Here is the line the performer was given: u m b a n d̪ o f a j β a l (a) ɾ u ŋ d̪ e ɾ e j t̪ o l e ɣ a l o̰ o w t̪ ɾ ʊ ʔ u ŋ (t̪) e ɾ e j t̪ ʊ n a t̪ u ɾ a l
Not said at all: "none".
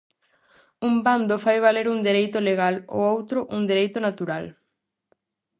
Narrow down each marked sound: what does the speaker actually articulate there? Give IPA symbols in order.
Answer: e, d̪

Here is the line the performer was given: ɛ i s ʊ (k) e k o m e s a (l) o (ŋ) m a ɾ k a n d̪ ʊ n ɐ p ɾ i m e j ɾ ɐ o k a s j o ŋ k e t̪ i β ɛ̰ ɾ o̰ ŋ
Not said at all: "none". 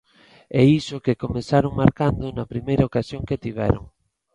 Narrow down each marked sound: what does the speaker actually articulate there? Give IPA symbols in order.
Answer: k, ɾ, ŋ

